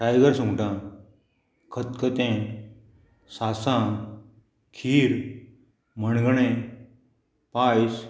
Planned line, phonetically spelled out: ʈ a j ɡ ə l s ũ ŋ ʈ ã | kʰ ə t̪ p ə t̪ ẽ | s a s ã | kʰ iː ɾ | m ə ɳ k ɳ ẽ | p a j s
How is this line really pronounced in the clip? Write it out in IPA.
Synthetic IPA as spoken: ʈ a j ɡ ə ɾ s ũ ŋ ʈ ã | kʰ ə t̪ k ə t̪ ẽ | s a s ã | kʰ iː ɾ | m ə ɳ ɡ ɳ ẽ | p a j s